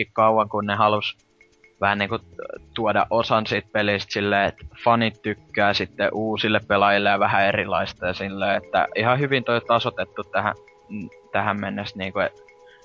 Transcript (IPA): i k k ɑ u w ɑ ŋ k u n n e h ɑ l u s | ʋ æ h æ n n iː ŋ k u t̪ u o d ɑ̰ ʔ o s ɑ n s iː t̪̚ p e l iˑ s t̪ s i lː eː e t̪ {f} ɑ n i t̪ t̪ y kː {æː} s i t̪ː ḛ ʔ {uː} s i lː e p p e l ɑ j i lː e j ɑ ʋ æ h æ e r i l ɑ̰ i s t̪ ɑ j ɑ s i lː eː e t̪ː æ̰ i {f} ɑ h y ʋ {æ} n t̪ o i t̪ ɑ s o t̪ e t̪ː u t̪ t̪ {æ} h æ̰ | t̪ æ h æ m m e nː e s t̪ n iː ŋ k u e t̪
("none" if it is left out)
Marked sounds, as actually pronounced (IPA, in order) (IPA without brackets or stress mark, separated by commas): f, æː, uː, h, i, æ